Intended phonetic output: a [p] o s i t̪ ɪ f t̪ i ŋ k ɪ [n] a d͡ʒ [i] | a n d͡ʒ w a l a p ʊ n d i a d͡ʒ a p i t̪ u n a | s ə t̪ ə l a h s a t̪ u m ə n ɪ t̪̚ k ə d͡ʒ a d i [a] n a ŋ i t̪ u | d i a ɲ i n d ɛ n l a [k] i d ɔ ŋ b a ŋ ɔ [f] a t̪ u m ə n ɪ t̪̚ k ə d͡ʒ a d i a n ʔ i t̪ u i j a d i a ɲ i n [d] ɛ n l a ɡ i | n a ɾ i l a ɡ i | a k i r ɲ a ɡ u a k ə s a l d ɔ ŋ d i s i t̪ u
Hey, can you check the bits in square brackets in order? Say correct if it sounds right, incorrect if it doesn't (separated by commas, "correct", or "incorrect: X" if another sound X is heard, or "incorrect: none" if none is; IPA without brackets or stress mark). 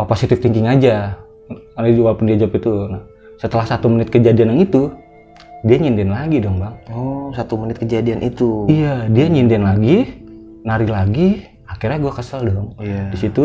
correct, incorrect: ŋ, incorrect: a, correct, incorrect: ɡ, incorrect: s, correct